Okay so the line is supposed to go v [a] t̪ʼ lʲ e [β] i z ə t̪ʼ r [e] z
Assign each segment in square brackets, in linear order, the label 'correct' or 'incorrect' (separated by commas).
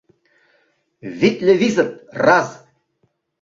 incorrect, incorrect, incorrect